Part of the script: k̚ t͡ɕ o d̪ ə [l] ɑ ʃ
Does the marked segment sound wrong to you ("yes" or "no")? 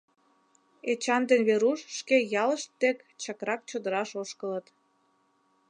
yes